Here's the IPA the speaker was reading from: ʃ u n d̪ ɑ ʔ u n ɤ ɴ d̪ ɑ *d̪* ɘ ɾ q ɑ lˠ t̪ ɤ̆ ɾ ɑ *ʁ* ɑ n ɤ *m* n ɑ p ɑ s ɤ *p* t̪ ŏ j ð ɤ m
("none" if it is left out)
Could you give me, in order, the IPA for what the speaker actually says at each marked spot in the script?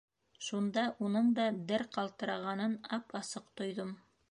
d̪, ʁ, none, q

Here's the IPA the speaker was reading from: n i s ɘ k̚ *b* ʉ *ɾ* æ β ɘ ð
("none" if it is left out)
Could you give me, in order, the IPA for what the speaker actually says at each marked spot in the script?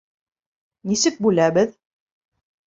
b, l

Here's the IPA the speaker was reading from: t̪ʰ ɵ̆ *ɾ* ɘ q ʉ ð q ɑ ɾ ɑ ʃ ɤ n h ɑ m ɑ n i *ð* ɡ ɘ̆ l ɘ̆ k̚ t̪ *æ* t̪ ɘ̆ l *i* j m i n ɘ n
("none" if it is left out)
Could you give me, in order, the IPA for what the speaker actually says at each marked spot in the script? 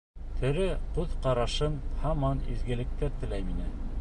ɾ, z, æ, æ

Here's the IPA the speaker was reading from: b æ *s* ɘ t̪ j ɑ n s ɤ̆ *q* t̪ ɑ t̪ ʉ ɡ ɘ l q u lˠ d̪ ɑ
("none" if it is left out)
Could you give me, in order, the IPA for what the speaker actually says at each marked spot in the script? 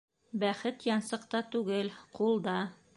χ, q

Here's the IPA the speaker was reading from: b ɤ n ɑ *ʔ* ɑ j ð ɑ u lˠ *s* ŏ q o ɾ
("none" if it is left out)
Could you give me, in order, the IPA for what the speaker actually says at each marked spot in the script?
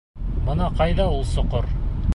q, s

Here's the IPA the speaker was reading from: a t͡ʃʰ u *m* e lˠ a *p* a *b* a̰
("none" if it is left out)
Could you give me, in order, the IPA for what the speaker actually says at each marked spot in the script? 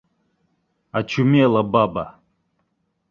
m, b, b

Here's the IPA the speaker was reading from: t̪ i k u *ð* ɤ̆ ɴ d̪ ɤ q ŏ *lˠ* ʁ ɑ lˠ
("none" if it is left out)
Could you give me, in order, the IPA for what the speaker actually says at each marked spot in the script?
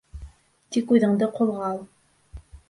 ð, lˠ

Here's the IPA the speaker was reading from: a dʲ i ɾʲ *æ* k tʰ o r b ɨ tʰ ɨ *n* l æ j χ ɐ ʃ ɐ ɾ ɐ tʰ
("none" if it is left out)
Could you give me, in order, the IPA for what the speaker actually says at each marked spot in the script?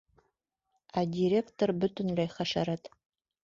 e, n

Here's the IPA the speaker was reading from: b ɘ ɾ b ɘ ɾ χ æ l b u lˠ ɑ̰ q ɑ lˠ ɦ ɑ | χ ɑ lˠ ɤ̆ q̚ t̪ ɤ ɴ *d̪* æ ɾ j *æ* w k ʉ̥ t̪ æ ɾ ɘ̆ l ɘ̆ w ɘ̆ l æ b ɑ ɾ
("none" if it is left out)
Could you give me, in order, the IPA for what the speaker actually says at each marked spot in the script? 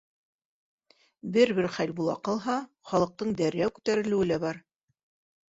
d̪, æ

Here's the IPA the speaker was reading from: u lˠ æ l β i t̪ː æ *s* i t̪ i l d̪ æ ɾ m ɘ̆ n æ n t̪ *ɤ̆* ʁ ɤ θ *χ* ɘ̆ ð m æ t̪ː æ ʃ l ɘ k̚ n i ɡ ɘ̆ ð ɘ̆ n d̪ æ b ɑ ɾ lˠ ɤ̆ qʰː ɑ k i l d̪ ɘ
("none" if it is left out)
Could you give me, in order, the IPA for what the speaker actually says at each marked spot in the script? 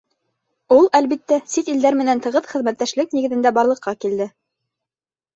s, ɤ̆, χ

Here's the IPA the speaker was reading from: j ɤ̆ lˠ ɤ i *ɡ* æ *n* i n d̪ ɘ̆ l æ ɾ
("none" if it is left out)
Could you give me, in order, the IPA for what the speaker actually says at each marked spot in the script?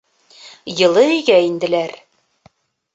ɡ, none

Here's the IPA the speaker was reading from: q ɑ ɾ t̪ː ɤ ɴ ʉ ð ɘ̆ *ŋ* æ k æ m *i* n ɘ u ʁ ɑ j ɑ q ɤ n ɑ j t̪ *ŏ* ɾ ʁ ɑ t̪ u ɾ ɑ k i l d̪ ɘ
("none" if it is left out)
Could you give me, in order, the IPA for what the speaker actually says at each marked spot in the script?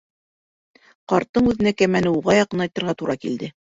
n, æ, ɤ̆

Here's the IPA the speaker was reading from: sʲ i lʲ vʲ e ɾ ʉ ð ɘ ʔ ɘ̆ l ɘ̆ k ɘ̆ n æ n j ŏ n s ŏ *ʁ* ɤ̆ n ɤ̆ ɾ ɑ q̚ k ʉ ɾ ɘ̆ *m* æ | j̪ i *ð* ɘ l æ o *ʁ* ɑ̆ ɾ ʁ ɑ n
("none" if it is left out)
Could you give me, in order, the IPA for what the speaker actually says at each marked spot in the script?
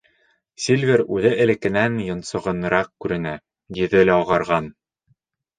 ʁ, n, ð, ʁ

